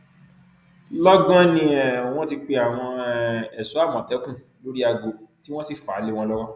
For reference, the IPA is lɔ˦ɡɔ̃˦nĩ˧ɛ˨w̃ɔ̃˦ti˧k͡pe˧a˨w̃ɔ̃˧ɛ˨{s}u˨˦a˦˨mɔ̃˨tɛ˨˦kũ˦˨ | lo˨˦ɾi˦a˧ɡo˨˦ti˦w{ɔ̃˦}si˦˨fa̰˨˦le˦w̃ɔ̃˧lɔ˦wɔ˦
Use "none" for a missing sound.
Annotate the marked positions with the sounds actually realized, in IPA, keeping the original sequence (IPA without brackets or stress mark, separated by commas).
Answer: s, ɔ̃˦